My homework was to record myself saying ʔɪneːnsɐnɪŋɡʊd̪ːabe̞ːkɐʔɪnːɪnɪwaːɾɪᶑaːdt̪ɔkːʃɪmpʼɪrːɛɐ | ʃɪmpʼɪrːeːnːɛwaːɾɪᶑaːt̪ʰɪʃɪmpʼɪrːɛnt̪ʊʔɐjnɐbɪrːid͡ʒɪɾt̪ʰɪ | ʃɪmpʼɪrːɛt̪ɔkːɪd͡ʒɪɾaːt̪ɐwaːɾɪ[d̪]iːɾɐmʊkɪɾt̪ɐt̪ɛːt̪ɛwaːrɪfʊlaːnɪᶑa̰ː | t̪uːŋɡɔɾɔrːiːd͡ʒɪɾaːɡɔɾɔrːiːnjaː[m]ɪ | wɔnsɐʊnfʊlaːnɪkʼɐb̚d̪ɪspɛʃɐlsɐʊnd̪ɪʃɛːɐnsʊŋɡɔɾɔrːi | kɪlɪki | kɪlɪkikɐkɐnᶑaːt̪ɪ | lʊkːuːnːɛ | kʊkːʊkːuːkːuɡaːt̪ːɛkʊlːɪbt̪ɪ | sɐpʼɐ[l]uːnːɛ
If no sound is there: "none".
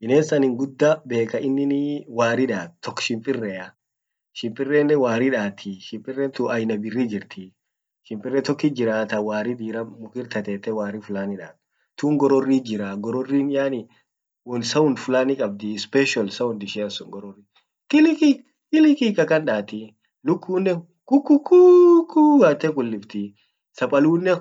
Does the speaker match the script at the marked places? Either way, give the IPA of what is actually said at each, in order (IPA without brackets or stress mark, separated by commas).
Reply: d̪, n, l